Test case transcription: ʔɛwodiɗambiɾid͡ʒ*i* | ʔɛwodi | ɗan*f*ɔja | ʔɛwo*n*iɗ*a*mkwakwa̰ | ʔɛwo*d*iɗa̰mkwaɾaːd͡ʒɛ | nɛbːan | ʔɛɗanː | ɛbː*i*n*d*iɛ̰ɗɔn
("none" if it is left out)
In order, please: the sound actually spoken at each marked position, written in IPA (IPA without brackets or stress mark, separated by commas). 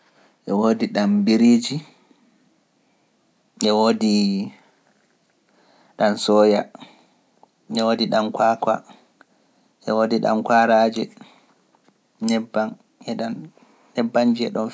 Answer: i, s, d, a, d, a, d͡ʒ